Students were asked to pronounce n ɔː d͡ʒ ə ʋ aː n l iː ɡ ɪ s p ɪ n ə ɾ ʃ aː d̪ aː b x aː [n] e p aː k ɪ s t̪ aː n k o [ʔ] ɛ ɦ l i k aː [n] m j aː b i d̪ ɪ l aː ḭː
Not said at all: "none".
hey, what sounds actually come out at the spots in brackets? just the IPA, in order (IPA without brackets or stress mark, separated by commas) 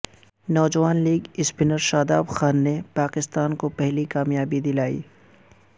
nː, p, none